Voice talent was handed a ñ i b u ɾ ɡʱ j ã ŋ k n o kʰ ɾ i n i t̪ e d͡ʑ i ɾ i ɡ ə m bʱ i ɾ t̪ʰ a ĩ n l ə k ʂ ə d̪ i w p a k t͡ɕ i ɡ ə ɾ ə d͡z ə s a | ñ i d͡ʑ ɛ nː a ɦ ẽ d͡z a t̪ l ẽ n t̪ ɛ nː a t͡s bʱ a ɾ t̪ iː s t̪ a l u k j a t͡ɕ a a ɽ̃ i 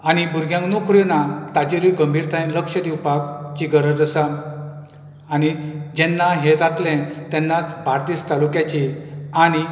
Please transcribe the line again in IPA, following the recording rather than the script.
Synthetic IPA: a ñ i b u ɾ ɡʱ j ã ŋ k n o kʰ ɾ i n a t̪ a d͡ʑ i ɾ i ɡ ə m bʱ i ɾ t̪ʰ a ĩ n l ə k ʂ ə d̪ i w p a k t͡ɕ i ɡ ə ɾ ə d͡z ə s a | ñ i d͡ʑ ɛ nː a ɦ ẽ d͡z a t̪ l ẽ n t̪ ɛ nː a t͡s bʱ a ɾ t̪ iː s t̪ a l u k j a t͡ɕ i a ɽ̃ i